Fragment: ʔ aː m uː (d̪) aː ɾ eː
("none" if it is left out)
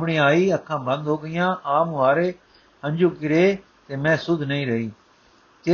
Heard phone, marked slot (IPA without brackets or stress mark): none